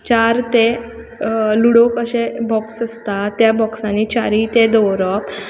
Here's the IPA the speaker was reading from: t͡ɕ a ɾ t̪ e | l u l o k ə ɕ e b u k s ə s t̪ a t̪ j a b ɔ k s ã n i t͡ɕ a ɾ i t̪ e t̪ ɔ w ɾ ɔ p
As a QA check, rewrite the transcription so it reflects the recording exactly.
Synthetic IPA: t͡ɕ a ɾ t̪ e | l u ɽ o k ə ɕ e b ɔ k s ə s t̪ a t̪ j a b ɔ k s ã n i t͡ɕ a ɾ i t̪ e d̪ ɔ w ɾ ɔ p